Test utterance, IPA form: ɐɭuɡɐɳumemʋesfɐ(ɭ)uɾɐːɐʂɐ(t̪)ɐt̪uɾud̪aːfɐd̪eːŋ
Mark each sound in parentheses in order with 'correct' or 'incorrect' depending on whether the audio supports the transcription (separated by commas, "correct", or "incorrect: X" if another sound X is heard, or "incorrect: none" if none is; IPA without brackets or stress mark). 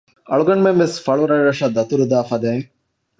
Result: correct, incorrect: d̪